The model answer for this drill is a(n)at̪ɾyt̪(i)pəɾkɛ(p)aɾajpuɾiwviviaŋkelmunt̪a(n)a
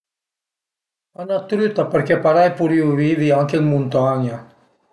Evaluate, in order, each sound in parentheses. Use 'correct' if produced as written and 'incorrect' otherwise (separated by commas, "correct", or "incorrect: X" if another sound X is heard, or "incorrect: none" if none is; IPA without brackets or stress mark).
correct, incorrect: a, correct, incorrect: ɲ